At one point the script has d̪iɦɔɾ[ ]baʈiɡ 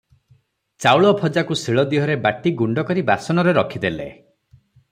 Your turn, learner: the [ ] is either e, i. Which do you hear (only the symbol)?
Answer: e